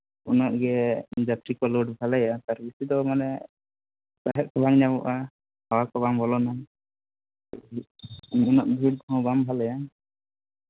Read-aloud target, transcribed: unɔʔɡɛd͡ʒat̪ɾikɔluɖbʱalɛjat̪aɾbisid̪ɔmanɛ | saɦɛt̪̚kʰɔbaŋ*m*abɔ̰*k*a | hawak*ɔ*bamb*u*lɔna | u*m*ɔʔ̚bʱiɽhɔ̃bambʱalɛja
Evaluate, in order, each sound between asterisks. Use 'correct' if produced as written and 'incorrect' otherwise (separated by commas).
incorrect, incorrect, correct, incorrect, incorrect